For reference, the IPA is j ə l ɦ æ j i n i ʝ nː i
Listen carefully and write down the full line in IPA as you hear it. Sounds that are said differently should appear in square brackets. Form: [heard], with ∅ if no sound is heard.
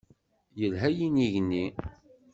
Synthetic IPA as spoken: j ə l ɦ æ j i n i ʝ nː i